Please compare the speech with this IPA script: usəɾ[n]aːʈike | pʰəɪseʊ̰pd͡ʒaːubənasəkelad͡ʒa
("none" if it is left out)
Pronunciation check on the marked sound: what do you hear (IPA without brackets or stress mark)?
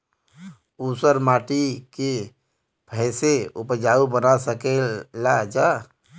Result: m